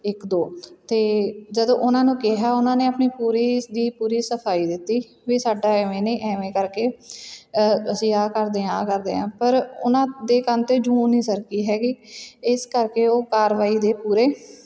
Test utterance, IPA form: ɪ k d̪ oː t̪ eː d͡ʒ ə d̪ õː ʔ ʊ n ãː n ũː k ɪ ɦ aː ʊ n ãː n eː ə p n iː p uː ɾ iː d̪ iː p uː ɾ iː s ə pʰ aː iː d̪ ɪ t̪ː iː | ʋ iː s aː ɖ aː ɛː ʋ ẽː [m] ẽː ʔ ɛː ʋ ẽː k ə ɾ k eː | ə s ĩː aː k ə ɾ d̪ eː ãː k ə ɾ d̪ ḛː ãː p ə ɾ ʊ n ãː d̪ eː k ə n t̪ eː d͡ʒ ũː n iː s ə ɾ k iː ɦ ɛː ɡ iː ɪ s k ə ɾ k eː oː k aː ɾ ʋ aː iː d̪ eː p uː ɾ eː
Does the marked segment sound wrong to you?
yes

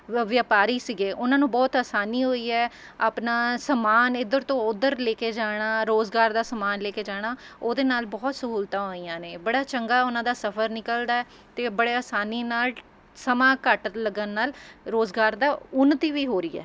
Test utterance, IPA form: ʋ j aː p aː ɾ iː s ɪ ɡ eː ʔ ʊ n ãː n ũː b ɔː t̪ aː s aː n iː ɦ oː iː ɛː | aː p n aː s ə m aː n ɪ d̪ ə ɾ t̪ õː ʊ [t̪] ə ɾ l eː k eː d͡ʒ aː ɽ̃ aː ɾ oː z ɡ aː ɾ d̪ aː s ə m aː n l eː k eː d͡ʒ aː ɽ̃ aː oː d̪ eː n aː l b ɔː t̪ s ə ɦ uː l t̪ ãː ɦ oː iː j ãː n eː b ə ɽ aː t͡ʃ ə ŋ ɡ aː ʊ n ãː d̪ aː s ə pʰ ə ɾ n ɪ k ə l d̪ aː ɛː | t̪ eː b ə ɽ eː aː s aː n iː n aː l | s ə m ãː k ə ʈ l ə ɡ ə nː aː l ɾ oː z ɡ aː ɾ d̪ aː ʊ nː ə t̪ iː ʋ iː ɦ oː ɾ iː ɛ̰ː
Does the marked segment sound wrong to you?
yes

